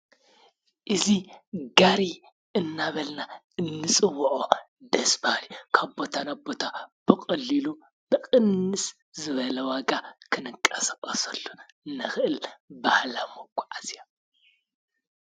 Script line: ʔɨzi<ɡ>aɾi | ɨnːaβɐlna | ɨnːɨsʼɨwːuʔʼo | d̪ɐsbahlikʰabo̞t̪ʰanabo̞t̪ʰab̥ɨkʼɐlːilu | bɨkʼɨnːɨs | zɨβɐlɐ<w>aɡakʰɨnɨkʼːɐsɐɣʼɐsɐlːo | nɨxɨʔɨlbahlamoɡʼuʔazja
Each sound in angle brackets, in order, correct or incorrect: correct, correct

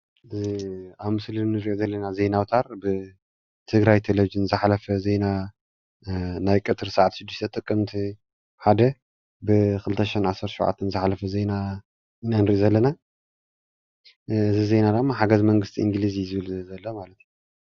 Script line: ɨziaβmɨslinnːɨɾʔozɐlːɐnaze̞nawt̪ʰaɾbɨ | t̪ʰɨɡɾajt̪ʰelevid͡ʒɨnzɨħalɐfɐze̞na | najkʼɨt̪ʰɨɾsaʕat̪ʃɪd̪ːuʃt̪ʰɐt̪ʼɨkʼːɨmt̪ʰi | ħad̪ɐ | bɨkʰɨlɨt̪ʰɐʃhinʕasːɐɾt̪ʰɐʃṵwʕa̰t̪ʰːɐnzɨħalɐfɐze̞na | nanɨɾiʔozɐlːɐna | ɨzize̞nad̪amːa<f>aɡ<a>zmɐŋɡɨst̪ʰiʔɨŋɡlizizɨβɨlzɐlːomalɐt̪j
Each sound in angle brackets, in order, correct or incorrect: incorrect: ħ, incorrect: ɐ

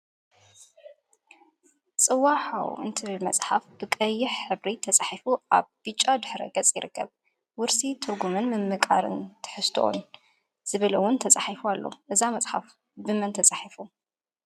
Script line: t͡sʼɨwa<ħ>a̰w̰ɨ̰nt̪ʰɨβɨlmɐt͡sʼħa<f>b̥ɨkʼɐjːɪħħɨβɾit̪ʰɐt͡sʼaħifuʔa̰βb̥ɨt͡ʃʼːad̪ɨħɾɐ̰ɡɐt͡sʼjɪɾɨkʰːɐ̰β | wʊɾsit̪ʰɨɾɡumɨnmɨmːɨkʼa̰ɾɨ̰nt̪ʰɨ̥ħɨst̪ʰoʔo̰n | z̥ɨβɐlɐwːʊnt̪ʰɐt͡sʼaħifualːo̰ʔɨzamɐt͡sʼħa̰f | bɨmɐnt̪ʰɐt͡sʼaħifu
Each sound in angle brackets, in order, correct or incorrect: correct, correct

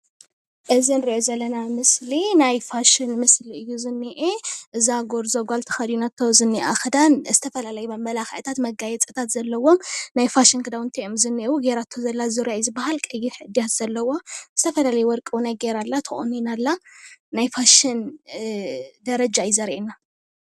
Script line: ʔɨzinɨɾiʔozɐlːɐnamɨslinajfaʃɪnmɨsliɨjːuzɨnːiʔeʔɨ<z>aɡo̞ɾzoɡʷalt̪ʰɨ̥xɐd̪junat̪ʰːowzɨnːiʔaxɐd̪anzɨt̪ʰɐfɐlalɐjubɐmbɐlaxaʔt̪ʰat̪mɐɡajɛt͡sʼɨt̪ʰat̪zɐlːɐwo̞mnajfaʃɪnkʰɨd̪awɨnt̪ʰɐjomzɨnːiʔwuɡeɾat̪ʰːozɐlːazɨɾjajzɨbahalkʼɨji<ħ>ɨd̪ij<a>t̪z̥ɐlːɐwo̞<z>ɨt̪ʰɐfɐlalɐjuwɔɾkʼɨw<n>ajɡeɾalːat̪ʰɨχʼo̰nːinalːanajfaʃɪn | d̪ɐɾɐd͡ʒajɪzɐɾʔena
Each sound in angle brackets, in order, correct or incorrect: correct, correct, correct, correct, correct

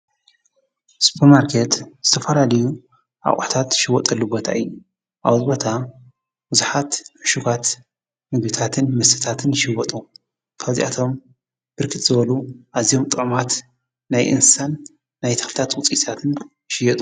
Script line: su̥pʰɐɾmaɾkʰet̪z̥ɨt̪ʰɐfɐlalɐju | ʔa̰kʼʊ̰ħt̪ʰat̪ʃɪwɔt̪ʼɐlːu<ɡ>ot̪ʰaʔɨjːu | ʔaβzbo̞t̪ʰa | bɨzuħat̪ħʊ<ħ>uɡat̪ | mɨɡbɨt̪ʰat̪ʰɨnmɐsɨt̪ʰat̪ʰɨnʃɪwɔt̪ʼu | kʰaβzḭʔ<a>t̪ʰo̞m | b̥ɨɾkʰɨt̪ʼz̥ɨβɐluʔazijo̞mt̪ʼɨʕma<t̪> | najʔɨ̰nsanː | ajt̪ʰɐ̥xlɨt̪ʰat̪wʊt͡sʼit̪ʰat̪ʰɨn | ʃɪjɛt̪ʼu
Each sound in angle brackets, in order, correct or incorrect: incorrect: b, incorrect: ʃ, correct, correct

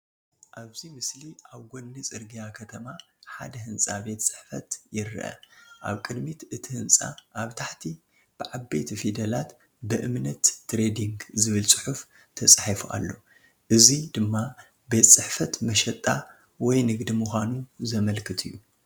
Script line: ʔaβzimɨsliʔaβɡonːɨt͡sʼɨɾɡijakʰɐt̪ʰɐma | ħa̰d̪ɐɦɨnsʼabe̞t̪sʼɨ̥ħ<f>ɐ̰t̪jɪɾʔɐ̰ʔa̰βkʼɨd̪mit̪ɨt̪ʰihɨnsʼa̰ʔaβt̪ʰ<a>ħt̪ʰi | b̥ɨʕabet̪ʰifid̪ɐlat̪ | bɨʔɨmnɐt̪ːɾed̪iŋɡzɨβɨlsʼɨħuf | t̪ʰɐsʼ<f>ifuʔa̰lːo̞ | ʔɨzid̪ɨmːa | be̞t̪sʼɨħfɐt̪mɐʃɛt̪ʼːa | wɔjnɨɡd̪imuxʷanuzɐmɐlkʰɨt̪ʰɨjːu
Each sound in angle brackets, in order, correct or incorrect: correct, correct, incorrect: ħ

